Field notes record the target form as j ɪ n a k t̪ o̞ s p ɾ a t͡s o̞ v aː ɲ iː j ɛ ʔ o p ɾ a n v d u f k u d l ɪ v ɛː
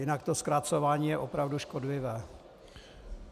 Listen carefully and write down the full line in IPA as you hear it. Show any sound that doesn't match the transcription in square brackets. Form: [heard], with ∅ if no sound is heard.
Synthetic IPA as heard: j ɪ n a k t̪ o̞ s [k] ɾ a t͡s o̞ v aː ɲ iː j ɛ ʔ o p ɾ a [∅] v d u [ʃ] k [o] d l ɪ v ɛː